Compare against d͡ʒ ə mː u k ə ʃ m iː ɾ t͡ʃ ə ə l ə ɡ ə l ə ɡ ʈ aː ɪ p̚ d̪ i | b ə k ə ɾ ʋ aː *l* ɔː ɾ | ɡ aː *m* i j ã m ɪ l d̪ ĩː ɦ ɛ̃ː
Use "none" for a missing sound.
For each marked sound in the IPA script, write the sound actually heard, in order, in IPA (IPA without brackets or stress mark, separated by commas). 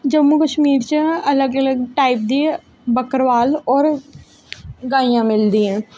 l, none